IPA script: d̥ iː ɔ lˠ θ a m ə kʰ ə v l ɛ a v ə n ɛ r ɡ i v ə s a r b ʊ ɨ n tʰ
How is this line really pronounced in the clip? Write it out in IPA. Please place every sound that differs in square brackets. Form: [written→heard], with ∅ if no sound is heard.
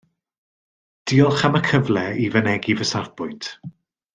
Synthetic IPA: d̥ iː ɔ lˠ [θ→χ] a m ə kʰ ə v l ɛ [a→i] v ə n ɛ [r→∅] ɡ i v ə s a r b ʊ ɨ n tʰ